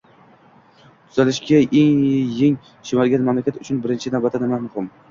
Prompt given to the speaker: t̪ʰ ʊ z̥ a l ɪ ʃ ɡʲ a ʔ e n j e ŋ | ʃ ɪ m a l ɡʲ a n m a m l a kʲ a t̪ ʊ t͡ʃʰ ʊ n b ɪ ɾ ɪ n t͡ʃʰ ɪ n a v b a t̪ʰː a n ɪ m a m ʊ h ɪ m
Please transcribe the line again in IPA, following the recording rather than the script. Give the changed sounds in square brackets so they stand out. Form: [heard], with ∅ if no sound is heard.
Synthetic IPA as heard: t̪ʰ ʊ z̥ a l ɪ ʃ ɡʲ a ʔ e [ŋ] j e ŋ | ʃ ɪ m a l ɡʲ a n m a m l a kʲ a t̪ ʊ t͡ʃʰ ʊ n b ɪ ɾ ɪ n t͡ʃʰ ɪ n a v b a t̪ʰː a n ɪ m a m ʊ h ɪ m